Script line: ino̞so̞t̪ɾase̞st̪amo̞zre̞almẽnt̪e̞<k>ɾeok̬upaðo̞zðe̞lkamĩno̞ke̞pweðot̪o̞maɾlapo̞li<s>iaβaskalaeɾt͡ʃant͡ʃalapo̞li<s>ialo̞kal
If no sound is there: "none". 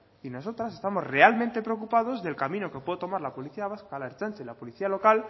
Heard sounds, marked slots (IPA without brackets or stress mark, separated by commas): p, θ, θ